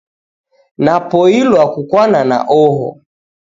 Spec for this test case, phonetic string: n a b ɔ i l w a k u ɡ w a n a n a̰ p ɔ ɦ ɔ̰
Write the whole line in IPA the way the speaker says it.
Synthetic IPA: n a p ɔ i l w a k u k w a n a n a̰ ʔ ɔ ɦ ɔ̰